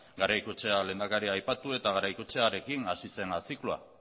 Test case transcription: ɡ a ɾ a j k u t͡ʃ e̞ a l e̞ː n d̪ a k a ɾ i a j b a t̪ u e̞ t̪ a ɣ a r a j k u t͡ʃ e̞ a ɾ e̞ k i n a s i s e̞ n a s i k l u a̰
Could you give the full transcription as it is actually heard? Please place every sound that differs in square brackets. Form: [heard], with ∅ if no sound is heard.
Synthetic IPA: ɡ a ɾ a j k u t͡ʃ e̞ a l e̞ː n d̪ a k a ɾ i a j [p] a t̪ u e̞ t̪ a ɣ a [ɾ] a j k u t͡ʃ e̞ a ɾ e̞ k i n a s i s e̞ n a s i k l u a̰